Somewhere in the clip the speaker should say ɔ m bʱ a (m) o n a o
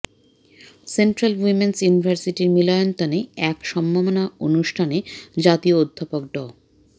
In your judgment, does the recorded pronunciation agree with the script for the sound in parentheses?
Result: yes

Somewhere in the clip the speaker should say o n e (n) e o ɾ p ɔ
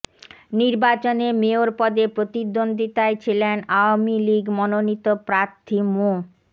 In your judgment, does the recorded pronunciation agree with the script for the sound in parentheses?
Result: no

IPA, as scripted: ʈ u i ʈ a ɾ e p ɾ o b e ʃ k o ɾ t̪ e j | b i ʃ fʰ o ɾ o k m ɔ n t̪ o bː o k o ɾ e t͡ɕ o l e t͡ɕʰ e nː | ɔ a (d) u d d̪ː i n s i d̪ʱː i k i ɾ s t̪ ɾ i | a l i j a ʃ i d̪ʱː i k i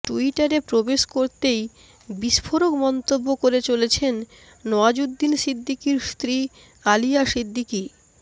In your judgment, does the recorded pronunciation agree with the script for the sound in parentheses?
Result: no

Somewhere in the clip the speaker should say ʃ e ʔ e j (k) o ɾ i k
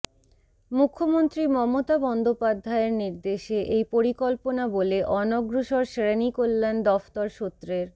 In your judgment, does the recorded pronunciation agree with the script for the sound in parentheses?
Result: no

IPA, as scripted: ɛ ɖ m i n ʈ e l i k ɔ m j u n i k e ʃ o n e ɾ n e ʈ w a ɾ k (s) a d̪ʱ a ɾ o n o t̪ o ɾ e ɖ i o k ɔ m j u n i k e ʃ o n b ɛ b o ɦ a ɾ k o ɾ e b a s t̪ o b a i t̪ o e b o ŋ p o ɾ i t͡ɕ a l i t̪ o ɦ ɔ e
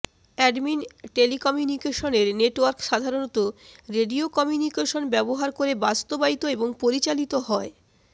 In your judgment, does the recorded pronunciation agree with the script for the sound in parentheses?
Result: no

